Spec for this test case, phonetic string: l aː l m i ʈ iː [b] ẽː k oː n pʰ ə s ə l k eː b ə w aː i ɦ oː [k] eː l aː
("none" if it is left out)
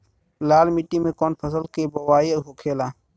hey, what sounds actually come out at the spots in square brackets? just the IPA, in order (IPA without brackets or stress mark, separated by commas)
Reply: m, kʰ